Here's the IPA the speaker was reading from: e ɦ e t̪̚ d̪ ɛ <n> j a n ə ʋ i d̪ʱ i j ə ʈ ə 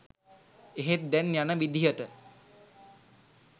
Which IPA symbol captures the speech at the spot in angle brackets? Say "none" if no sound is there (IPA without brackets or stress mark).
n